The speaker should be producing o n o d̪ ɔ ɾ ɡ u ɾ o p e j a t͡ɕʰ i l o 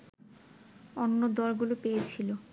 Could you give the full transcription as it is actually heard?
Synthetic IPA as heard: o nː o d̪ ɔ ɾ ɡ u l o p e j e t͡ɕʰ i l o